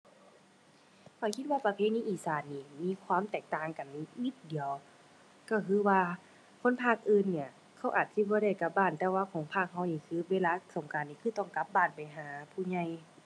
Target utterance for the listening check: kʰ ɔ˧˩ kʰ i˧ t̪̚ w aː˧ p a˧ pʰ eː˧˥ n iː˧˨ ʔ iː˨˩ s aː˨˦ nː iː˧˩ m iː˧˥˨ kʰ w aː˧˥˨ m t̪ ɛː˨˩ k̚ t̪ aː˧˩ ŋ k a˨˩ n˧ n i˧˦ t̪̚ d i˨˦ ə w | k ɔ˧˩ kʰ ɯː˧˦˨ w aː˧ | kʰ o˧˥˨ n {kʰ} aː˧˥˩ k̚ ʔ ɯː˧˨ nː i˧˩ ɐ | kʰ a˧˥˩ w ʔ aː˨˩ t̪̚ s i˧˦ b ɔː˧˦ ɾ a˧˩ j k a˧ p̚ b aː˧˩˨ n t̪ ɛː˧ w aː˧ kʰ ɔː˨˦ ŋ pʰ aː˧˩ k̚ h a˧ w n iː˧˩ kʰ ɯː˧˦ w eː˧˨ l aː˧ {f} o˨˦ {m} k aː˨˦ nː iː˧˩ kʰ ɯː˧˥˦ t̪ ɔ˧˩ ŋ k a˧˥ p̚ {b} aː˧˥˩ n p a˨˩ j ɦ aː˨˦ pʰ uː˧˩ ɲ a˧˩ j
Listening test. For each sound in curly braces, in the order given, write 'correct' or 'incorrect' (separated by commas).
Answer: incorrect, incorrect, incorrect, correct